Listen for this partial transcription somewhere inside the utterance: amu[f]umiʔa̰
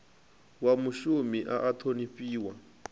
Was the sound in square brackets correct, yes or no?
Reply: no